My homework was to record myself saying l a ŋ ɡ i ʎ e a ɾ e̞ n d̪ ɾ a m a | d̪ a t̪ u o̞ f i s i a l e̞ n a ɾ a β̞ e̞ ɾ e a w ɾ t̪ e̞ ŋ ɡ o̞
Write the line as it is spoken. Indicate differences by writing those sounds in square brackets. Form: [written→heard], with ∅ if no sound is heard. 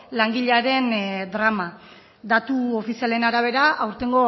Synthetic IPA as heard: l a ŋ ɡ i ʎ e a ɾ e̞ n d̪ ɾ a m a | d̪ a t̪ u o̞ f i s i a l e̞ n a ɾ a β̞ e̞ ɾ [e→a] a w ɾ t̪ e̞ ŋ ɡ o̞